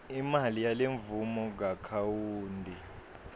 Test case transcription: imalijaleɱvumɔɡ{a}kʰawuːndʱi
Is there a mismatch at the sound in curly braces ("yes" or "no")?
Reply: no